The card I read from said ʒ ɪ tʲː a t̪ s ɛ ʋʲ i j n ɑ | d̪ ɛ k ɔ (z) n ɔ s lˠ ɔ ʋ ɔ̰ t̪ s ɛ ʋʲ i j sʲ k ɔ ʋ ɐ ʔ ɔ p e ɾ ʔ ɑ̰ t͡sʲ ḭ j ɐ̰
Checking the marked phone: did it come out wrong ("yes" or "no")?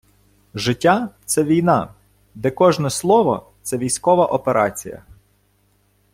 yes